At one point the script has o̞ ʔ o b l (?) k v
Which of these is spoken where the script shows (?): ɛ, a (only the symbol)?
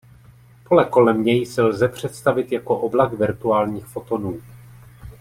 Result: a